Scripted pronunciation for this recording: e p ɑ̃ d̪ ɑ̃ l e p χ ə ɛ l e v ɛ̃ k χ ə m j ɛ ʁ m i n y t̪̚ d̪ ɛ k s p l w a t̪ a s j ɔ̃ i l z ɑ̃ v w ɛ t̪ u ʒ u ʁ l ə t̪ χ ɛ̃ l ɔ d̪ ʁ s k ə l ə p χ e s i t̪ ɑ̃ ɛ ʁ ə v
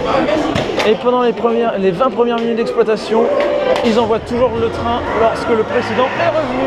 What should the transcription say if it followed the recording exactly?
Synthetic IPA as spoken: e p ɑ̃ d̪ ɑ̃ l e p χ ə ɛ l e v ɛ̃ p χ ə m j ɛ ʁ m i n y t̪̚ d̪ ɛ k s p l w a t̪ a s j ɔ̃ i l z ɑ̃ v w a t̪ u ʒ u ʁ l ə t̪ χ ɛ̃ l ɔ ʁ s k ə l ə p χ e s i d̪ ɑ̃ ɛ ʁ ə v